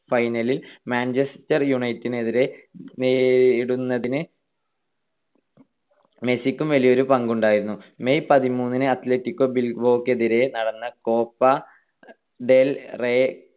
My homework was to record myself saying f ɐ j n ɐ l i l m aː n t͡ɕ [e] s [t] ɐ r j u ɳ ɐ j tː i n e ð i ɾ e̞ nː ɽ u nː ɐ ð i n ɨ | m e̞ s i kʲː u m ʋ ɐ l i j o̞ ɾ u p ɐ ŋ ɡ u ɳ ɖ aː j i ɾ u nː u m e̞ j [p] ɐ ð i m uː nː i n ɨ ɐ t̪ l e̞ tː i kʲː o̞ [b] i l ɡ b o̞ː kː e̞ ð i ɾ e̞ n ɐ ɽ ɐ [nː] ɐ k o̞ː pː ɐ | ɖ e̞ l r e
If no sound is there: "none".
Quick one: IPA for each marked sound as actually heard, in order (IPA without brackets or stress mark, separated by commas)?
e, t, p, b, nː